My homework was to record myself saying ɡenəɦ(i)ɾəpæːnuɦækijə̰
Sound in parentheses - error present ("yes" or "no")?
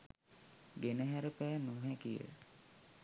yes